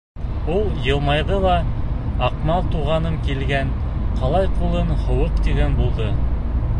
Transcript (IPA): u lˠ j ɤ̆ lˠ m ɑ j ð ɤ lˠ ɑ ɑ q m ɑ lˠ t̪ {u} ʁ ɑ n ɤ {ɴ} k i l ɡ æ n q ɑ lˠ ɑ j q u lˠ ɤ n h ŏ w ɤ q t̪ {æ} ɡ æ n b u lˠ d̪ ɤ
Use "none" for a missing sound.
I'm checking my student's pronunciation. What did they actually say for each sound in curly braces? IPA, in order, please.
u, m, i

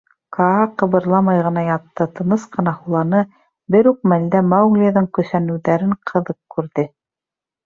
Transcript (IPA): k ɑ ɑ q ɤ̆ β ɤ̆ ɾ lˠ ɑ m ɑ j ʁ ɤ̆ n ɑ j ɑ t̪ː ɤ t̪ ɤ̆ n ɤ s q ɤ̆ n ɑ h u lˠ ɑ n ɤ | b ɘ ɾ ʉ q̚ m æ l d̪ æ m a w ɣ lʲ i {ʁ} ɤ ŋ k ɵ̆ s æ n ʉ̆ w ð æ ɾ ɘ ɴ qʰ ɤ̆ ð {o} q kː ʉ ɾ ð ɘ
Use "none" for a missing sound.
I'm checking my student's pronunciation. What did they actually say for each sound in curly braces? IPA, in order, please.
ð, ɤ

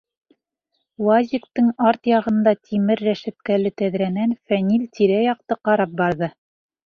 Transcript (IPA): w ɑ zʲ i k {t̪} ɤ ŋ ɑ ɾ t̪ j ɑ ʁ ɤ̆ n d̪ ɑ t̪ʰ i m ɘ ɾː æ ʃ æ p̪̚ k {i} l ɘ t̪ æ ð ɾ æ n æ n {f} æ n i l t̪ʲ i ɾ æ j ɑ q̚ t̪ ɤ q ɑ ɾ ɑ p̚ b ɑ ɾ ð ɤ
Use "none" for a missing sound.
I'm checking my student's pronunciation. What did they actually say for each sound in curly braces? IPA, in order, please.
t̪, æ, f

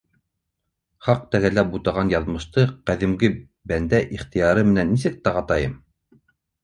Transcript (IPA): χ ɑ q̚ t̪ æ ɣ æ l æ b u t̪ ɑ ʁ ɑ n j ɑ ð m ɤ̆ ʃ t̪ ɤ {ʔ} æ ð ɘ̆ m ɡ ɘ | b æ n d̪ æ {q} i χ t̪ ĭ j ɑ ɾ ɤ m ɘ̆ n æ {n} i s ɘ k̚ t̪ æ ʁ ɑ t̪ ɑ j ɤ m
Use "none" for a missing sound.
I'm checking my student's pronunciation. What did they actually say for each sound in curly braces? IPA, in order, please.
q, ʔ, nː

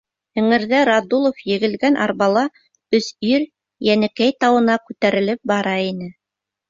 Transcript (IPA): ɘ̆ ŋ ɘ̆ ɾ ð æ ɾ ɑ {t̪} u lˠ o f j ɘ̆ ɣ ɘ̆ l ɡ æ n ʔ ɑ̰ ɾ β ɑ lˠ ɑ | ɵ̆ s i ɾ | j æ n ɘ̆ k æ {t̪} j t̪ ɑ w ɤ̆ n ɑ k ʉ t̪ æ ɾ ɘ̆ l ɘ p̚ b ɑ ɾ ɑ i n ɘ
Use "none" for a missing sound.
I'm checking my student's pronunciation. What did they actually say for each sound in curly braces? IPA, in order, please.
d̪, none

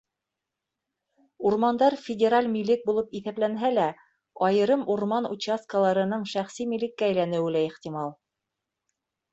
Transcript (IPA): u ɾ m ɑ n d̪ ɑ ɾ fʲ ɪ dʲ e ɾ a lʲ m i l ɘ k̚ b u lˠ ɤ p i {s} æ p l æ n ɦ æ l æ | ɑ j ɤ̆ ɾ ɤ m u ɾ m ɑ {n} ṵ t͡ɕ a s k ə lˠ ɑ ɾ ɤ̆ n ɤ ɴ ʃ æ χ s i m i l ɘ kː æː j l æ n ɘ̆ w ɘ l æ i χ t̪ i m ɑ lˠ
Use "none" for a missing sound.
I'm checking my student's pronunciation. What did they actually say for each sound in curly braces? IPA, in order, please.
θ, n

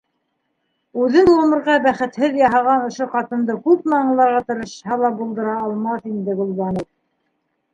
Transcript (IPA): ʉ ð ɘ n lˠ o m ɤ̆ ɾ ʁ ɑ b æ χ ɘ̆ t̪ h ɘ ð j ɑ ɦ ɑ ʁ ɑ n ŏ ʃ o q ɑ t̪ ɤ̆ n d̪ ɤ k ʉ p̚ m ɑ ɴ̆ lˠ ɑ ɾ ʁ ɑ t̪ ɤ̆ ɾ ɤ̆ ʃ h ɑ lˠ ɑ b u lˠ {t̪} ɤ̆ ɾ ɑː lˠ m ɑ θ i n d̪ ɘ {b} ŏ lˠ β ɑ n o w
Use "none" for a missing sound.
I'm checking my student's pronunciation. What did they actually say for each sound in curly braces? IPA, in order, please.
d̪, ɡ

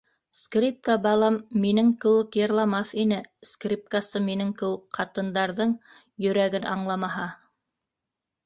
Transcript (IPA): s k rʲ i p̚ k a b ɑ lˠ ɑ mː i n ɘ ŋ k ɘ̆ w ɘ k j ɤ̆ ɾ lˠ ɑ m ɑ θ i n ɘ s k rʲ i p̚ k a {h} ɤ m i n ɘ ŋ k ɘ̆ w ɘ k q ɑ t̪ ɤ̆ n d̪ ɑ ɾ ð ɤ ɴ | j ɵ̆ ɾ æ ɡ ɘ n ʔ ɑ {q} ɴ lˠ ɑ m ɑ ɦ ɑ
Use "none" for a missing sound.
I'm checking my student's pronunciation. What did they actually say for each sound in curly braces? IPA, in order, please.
s, none

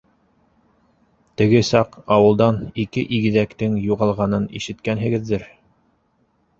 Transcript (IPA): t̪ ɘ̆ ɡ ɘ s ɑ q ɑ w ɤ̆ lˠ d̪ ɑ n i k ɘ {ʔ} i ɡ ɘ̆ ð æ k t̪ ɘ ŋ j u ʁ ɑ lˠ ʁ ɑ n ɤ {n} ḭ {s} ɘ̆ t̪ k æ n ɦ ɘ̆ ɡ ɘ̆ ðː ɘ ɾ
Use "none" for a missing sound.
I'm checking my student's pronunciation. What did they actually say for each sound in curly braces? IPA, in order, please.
ʔ, n, ʃ

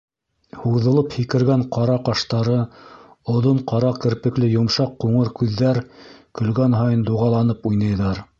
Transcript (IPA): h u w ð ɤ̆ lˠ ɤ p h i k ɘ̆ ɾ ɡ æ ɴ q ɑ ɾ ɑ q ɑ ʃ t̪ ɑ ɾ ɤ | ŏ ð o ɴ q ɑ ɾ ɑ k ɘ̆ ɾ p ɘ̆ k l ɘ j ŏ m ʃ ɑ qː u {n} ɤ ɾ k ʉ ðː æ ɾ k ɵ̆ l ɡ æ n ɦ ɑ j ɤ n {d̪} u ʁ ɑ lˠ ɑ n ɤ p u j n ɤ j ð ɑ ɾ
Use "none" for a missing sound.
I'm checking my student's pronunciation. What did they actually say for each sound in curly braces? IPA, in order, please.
ɴ, d̪

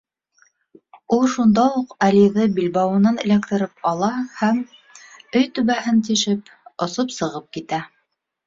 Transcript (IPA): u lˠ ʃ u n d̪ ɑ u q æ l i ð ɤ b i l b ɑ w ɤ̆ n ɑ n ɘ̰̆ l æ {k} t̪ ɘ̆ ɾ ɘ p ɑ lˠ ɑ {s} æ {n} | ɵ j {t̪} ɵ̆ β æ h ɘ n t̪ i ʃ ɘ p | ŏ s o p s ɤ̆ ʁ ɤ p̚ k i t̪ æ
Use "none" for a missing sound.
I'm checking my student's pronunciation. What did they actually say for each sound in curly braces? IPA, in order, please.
k, h, m, t̪

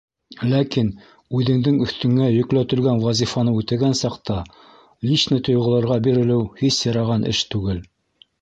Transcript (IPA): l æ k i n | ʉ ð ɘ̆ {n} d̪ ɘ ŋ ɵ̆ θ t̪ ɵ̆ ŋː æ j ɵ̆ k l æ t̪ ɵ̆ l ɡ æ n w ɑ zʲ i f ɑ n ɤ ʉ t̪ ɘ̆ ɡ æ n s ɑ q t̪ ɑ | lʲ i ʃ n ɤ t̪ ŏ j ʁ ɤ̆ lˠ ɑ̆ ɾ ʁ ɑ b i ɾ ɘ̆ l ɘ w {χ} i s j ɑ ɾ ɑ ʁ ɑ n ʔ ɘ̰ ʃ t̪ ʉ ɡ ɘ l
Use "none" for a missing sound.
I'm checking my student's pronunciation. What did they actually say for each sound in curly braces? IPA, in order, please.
ŋ, h

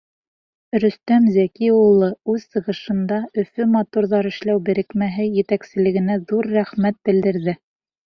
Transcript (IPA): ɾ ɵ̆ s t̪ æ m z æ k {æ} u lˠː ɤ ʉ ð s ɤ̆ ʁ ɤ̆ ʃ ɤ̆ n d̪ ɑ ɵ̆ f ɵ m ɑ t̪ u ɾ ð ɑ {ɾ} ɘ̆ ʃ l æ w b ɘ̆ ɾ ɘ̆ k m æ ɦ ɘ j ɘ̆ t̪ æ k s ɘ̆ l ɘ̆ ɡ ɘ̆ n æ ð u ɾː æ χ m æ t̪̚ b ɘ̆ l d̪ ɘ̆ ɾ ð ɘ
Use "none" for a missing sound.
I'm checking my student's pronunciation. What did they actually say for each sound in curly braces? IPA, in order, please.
i, ɾ

